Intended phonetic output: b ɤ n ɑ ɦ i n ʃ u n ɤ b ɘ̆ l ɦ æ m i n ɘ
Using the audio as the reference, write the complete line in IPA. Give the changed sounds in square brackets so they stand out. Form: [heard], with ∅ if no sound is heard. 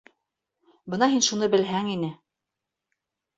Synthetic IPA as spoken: b ɤ n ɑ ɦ i n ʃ u n ɤ b ɘ̆ l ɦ æ [ŋ] i n ɘ